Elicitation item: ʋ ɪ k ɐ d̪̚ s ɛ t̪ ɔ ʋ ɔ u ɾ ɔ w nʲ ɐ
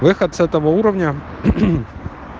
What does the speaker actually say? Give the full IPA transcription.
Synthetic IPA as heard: ʋ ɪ x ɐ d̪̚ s ɛ t̪ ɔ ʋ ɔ u ɾ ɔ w nʲ ɐ